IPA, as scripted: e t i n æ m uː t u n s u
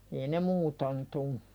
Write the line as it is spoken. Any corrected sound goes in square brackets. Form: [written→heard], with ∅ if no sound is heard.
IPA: e [t→∅] i n [æ→e] m uː t [u→o] n [s→t] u